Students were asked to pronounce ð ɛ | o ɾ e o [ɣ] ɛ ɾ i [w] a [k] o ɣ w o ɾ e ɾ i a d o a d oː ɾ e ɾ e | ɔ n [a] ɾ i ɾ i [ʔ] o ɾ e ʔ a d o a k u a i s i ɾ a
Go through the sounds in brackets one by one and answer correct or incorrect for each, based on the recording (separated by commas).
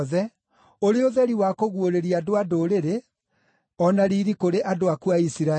incorrect, correct, correct, correct, incorrect